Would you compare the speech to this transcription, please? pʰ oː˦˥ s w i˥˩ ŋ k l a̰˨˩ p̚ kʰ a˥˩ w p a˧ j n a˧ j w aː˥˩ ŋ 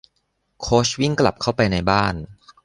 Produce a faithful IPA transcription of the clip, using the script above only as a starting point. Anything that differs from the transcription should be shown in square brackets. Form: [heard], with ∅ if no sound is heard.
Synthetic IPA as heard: [kʰ] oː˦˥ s w i˥˩ ŋ k l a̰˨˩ p̚ kʰ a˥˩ w p a˧ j n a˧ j [b] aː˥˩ [n]